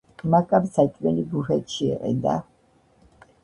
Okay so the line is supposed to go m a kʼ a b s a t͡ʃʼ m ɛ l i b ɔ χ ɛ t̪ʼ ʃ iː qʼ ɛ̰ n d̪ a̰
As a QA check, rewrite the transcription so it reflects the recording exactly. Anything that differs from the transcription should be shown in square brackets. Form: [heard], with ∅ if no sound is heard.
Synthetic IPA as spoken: m a kʼ a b s a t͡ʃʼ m ɛ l i b [u] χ ɛ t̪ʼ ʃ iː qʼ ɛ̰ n d̪ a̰